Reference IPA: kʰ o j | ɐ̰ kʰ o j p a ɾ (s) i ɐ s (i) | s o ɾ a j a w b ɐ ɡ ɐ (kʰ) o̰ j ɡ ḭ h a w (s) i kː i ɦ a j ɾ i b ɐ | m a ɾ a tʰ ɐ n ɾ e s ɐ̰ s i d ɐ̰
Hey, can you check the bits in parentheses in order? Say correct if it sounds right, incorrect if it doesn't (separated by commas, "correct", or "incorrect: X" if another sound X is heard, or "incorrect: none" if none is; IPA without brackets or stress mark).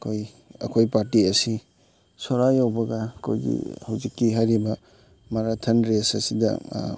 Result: incorrect: t, correct, correct, incorrect: z